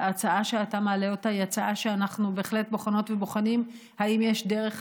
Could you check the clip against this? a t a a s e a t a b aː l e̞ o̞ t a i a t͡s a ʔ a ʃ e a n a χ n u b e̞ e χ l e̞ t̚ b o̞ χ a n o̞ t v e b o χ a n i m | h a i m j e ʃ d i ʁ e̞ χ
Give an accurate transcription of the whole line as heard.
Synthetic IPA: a t͡s a a ʃ e a t a m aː l e̞ o̞ t a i a t͡s a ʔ a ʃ e a n a χ n u b e̞ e χ l e̞ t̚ b o̞ χ a n o̞ t v e b o χ a n i m | h a i m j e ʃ d e ʁ e̞ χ